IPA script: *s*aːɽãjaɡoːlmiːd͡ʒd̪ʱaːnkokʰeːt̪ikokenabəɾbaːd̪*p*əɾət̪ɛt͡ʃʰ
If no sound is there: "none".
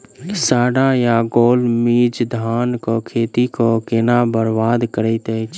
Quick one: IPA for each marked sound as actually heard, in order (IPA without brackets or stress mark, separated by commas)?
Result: s, k